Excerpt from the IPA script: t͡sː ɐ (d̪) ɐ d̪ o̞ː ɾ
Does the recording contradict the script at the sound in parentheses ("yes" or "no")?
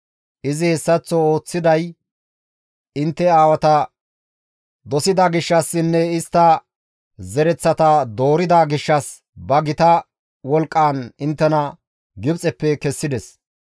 yes